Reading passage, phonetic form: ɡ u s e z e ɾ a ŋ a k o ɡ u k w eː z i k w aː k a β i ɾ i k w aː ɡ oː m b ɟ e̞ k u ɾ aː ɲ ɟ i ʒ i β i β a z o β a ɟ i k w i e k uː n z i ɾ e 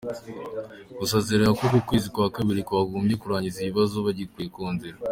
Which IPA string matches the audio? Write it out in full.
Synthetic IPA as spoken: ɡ u s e z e ɾ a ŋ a k o k u k w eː z i k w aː k a β i ɾ i k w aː ɡ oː m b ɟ e̞ k u ɾ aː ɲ ɟ i z i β i β a z o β a ɟ i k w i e k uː n z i ɾ a